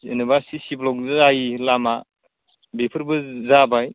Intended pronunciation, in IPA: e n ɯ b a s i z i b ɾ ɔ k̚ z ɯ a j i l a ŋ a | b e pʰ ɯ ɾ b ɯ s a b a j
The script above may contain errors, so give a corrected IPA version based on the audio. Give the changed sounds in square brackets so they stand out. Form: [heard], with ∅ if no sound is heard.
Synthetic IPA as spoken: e n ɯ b a s i [s] i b [l] ɔ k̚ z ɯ a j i l a [m] a | b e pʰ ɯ ɾ b ɯ [z] a b a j